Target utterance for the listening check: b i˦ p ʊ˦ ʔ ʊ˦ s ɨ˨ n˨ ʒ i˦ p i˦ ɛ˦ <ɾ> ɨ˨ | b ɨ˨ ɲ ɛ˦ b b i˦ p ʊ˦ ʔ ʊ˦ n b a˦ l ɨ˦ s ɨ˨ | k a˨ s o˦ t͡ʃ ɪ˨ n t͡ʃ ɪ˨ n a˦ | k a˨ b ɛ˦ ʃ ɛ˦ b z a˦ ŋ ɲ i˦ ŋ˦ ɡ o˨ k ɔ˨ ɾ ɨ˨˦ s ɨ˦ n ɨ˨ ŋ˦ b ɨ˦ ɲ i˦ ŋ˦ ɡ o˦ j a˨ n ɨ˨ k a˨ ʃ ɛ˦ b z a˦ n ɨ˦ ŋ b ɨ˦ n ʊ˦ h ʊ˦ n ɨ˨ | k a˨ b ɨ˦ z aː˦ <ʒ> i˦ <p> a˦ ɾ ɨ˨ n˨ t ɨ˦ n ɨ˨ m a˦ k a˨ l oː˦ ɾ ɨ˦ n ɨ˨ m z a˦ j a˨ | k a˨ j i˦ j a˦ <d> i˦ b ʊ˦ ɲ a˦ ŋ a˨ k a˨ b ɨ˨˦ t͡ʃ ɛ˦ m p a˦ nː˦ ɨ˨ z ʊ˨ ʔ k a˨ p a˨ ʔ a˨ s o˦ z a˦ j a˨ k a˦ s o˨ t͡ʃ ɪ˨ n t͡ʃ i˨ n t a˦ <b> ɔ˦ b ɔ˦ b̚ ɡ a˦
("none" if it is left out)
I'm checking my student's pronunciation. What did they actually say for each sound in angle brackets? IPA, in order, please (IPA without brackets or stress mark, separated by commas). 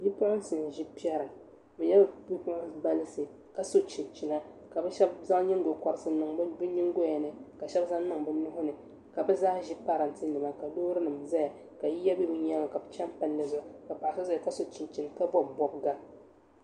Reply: ɾ, ʒ, p, b, b